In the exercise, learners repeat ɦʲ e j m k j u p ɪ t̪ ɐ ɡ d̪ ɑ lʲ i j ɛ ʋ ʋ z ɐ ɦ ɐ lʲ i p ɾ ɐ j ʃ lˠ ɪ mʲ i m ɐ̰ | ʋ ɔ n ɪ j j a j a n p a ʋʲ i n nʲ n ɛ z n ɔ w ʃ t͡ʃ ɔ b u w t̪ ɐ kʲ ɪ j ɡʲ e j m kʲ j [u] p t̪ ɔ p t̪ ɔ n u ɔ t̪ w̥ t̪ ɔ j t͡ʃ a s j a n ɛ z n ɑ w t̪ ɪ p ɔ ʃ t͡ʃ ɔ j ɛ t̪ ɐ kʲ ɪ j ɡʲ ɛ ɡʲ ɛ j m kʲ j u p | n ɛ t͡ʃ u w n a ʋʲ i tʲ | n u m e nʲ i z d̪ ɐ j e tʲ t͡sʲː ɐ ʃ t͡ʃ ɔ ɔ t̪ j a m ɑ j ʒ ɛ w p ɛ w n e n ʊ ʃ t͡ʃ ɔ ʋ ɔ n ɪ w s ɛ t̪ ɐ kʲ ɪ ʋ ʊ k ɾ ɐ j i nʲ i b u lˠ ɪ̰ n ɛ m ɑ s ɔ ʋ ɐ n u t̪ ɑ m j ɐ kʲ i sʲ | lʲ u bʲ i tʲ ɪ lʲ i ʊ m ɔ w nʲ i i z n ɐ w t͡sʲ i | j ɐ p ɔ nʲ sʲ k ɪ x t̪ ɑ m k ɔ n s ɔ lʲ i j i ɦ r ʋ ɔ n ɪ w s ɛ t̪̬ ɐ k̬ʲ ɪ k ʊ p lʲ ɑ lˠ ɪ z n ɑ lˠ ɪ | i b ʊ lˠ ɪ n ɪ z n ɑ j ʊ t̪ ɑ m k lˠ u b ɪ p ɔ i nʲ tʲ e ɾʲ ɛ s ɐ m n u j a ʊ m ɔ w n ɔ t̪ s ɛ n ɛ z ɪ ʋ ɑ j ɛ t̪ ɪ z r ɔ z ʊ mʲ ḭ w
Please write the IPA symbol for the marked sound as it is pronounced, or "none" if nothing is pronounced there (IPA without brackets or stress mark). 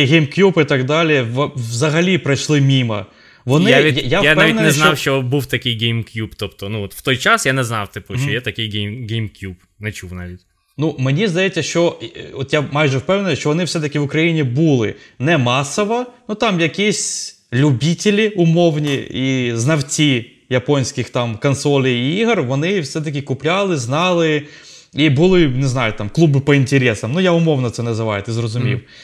u